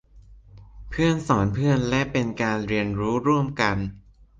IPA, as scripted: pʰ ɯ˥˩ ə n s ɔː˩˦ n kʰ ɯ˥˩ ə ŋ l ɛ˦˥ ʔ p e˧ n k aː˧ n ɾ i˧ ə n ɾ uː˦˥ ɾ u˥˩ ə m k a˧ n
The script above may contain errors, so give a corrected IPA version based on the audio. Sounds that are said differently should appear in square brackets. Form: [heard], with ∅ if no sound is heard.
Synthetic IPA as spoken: pʰ ɯ˥˩ ə n s ɔː˩˦ n [pʰ] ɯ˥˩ ə [n] l ɛ˦˥ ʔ p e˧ n k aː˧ n ɾ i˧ ə n ɾ uː˦˥ ɾ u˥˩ ə m k a˧ n